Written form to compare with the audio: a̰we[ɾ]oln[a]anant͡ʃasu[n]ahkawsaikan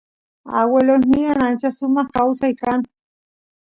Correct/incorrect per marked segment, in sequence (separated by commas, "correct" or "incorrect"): incorrect, incorrect, incorrect